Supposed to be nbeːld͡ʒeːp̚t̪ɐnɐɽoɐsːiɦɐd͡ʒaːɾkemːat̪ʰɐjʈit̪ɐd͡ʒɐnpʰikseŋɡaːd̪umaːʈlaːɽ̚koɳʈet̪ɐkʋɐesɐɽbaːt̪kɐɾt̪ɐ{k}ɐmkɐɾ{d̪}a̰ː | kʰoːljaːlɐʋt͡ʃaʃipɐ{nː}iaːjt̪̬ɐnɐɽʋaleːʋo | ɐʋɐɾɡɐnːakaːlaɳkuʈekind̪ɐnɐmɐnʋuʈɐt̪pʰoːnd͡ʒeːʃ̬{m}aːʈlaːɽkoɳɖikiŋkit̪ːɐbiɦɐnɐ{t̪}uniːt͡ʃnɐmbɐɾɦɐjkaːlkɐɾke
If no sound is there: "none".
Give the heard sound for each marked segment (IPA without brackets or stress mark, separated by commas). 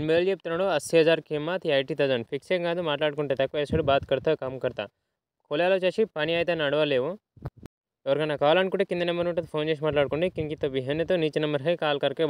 k, t̪, n, m, t̪